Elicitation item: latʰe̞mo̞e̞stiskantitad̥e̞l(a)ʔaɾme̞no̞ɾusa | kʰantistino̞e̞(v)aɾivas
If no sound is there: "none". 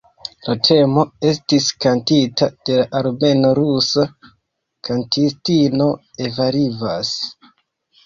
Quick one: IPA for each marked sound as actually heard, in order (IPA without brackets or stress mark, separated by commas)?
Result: a, v